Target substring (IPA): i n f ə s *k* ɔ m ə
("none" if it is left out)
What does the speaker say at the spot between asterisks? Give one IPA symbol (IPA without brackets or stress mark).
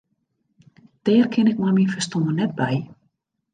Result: t